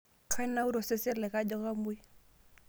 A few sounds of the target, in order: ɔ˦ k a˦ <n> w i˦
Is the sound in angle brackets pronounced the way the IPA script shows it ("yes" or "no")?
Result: no